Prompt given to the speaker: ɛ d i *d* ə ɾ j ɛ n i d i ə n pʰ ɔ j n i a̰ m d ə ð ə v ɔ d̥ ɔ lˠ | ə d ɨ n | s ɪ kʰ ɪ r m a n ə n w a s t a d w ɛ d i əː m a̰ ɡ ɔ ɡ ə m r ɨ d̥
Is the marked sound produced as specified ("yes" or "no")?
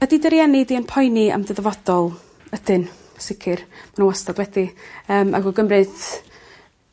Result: yes